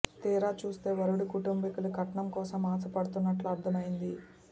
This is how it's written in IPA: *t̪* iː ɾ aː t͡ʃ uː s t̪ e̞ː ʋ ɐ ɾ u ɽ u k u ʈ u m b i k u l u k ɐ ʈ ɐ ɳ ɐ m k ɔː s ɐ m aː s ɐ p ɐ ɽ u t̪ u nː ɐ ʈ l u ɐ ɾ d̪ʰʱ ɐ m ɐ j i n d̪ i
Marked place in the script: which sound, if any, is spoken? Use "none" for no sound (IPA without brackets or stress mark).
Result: t̪